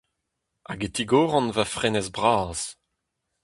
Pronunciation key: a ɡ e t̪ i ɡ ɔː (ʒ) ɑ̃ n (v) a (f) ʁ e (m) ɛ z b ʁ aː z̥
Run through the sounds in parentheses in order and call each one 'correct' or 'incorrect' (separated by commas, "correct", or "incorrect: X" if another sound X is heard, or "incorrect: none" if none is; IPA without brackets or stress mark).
incorrect: ʁ, correct, correct, incorrect: n